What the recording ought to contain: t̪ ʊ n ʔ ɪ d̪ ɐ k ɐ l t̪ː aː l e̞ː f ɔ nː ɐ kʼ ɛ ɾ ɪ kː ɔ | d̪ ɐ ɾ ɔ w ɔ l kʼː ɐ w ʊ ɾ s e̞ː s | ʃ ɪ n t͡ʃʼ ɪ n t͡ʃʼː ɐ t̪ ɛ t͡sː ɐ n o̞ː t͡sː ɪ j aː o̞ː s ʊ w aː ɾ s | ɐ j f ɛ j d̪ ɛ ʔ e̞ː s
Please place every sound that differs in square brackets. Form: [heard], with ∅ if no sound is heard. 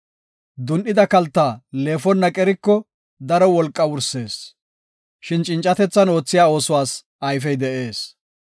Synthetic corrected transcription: [d̪] ʊ n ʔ ɪ d̪ ɐ k ɐ l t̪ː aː l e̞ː f ɔ nː ɐ kʼ ɛ ɾ ɪ kː ɔ | d̪ ɐ ɾ ɔ w ɔ l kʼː ɐ w ʊ ɾ s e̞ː s | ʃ ɪ n t͡ʃʼ ɪ n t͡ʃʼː ɐ t̪ ɛ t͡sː ɐ n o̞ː t͡sː ɪ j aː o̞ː s ʊ w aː [∅] s | ɐ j f ɛ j d̪ ɛ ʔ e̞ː s